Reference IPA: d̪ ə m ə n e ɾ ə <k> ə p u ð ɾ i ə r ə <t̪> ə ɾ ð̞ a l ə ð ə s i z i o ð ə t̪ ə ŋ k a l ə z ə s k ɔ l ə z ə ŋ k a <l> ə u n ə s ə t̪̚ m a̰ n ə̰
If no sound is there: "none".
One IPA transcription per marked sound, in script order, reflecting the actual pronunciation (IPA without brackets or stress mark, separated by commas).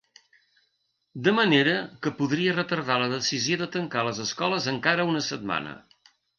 k, t̪, ɾ